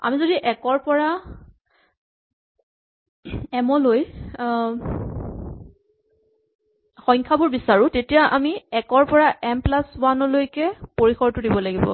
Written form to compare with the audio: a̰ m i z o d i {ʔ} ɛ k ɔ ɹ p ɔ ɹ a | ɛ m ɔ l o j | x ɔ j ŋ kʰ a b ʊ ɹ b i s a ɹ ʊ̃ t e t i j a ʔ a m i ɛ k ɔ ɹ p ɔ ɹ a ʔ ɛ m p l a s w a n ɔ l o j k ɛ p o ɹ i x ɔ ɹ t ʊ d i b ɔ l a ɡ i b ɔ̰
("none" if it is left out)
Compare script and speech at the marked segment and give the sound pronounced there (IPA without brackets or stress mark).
ʔ